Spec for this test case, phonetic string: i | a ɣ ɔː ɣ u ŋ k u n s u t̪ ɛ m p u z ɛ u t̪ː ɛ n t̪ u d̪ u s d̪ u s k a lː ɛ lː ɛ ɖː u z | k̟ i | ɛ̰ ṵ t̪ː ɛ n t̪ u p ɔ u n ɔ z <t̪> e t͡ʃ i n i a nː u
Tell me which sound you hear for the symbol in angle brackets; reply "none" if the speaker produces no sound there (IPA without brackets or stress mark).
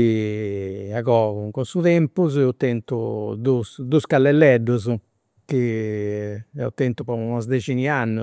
d̪